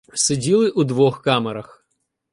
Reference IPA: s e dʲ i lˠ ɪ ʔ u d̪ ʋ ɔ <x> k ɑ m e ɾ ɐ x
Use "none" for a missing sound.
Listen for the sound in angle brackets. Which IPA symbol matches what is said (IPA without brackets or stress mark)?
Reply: x